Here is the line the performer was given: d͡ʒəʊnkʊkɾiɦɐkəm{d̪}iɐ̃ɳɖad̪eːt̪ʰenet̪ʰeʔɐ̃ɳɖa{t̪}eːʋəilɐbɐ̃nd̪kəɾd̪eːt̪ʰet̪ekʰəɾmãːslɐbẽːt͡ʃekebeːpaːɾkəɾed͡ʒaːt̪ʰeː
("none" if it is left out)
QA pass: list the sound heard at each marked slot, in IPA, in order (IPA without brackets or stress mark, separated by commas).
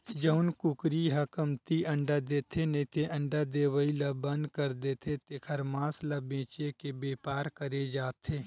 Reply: t̪, d̪